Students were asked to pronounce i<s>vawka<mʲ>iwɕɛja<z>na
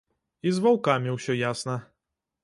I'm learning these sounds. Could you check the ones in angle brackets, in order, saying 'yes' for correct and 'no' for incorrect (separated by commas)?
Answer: no, yes, no